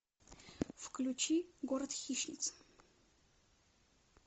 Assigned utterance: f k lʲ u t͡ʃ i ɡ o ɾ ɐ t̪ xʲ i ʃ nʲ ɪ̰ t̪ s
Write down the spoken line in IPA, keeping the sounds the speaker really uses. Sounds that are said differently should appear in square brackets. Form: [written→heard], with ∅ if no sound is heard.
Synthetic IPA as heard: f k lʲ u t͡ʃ i ɡ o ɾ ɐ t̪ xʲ i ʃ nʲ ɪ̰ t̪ s